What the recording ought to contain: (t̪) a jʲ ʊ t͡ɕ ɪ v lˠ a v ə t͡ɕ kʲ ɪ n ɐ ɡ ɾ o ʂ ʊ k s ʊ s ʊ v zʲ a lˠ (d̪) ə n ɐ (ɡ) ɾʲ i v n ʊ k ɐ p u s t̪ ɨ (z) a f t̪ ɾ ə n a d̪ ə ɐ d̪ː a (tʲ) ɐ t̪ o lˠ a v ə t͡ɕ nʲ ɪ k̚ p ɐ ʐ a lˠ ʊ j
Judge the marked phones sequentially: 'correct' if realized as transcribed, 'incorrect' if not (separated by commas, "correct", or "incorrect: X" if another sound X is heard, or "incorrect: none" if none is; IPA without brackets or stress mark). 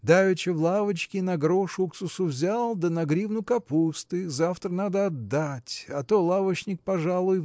incorrect: d̪, correct, correct, correct, correct